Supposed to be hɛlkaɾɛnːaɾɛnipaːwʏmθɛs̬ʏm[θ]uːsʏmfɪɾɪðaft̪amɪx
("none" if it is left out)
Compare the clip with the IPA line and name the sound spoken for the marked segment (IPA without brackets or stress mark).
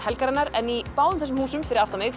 h